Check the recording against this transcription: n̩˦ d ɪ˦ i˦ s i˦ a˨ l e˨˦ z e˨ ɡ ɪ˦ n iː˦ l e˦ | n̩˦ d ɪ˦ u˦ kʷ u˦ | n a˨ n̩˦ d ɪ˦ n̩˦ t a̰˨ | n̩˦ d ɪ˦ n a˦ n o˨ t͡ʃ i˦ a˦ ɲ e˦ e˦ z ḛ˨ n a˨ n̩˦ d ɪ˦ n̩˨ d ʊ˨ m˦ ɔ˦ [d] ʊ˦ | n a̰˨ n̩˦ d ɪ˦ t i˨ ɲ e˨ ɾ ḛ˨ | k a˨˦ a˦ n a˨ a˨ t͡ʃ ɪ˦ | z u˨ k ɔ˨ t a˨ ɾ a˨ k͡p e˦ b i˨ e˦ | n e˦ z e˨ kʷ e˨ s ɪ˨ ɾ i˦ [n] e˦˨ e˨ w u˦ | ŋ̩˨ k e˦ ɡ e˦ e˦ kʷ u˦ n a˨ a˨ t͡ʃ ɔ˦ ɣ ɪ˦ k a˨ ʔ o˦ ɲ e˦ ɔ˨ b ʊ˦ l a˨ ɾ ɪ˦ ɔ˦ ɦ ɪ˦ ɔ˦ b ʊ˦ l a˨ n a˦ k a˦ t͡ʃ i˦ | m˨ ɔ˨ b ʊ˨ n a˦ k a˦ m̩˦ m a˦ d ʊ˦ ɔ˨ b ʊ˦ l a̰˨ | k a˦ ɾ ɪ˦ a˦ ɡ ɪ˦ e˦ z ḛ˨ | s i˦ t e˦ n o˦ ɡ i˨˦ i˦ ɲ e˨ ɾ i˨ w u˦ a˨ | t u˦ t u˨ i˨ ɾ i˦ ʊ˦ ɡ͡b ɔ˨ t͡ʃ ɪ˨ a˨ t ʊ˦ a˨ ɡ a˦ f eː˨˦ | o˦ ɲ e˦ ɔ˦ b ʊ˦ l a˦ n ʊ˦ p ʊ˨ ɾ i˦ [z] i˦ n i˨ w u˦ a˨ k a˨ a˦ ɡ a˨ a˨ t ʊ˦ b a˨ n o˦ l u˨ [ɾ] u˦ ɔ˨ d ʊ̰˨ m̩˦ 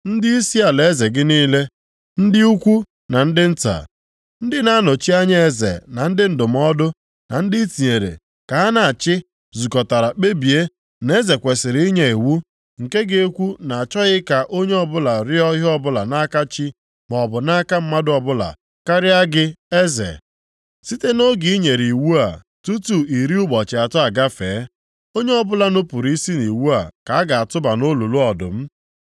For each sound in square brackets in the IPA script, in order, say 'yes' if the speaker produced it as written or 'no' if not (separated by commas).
yes, no, no, no